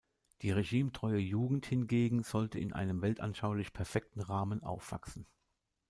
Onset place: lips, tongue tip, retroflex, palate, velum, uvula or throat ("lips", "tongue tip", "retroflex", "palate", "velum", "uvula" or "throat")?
tongue tip